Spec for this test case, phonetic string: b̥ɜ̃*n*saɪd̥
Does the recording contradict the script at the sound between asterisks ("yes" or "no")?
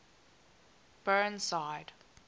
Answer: no